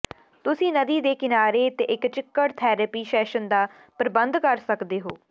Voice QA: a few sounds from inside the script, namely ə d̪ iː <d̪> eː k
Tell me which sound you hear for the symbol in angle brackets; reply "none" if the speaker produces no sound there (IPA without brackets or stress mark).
d̪